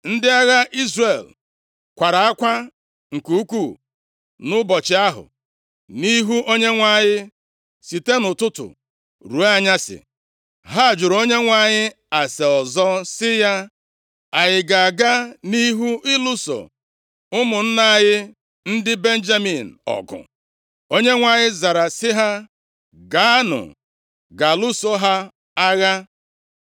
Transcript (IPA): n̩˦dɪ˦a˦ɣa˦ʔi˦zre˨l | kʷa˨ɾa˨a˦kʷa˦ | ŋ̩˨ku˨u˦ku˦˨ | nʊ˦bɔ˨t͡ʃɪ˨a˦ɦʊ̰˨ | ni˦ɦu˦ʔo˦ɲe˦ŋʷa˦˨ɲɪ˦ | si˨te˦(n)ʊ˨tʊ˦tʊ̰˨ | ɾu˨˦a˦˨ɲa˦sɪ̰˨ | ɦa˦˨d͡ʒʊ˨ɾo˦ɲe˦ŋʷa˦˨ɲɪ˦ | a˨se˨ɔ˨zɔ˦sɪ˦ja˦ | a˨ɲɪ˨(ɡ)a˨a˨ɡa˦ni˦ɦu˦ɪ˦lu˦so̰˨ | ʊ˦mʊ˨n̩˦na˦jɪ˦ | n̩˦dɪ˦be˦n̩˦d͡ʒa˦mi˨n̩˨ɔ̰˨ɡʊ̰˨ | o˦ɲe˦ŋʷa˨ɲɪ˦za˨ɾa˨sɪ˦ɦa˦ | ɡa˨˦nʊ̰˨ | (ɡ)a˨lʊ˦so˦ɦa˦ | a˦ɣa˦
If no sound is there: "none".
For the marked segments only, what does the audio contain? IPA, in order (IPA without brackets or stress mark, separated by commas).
n, ɡ, ɡ